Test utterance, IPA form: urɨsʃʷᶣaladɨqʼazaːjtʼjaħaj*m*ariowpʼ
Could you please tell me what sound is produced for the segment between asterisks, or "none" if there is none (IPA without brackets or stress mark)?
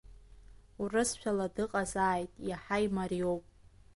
m